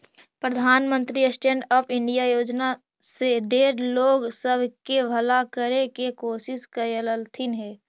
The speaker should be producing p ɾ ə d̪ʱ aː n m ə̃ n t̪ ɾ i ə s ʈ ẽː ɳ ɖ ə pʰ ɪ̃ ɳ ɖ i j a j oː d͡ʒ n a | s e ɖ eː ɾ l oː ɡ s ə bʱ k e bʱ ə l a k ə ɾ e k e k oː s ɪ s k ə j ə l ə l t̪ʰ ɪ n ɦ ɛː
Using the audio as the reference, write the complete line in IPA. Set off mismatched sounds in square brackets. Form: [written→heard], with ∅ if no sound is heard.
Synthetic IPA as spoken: p ɾ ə d̪ʱ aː n m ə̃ n t̪ ɾ i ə s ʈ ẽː ɳ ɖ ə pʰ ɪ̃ ɳ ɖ i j a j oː d͡ʒ n a | s e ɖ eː ɾ l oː ɡ s ə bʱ k e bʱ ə l a k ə ɾ e k e k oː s ɪ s k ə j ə l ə l t̪ʰ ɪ n ɦ ɛː